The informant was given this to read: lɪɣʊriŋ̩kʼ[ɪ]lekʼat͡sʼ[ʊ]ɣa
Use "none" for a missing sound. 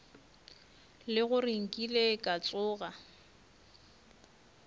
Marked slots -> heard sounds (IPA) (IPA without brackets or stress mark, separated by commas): i, ʊː